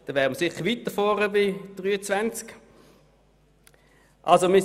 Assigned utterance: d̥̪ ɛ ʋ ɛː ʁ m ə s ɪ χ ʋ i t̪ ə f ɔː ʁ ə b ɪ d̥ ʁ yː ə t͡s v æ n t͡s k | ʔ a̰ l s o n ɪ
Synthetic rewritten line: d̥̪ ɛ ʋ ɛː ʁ m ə s ɪ χ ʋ i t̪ ə f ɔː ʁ ə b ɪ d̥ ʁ yː ə t͡s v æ n t͡s k | ʔ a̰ l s o m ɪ